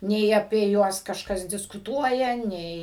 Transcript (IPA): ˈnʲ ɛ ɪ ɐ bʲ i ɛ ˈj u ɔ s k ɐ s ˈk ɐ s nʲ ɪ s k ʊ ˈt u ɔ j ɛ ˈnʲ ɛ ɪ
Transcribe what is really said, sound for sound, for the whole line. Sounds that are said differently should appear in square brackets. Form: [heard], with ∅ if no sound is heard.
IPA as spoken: ˈnʲ ɛ ɪ ɐ [pʲ] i ɛ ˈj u ɔ s k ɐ [ʃ] ˈk ɐ s [dʲ] ɪ s k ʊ ˈt u ɔ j ɛ ˈnʲ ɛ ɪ